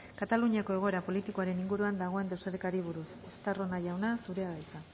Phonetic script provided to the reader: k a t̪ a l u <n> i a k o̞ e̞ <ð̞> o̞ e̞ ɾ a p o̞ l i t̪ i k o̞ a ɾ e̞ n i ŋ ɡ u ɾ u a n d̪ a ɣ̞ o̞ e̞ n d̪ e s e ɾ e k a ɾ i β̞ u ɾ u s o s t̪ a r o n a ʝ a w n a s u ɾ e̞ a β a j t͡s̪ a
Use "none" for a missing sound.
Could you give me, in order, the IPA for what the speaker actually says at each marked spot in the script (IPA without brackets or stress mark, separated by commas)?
ɲ, ɣ̞